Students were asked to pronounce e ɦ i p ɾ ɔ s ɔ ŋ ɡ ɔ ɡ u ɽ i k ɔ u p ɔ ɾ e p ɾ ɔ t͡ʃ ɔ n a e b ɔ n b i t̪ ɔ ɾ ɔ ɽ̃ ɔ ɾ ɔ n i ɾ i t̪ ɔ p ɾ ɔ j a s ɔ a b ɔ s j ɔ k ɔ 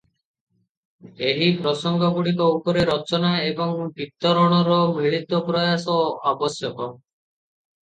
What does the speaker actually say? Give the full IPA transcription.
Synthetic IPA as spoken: e ɦ i p ɾ ɔ s ɔ ŋ ɡ ɔ ɡ u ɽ i k ɔ u p ɔ ɾ e ɾ ɔ t͡ʃ ɔ n a e b ɔ ŋ b i t̪ ɔ ɾ ɔ ɽ̃ ɔ ɾ ɔ m i ɭ i t̪ ɔ p ɾ ɔ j a s ɔ a b ɔ s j ɔ k ɔ